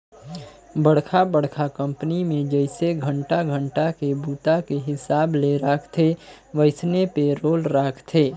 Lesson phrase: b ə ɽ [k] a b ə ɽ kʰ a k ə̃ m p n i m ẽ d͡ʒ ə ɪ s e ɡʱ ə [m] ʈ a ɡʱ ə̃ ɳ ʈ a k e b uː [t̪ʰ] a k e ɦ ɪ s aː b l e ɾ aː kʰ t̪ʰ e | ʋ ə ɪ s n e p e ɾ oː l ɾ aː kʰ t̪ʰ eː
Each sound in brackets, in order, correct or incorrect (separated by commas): incorrect, incorrect, incorrect